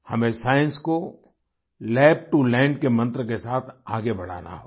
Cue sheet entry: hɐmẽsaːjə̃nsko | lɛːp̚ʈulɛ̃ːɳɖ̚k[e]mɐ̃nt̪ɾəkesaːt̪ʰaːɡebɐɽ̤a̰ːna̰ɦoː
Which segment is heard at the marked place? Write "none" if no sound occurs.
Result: e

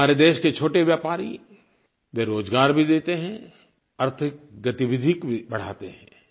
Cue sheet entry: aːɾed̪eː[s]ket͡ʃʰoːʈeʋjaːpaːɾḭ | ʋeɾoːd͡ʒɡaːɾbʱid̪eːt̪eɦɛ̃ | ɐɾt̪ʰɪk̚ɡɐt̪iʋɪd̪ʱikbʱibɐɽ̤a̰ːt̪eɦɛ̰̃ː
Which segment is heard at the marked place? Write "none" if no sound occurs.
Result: ʃ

